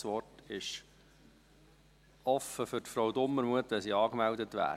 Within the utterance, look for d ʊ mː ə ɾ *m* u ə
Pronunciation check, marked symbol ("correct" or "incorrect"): correct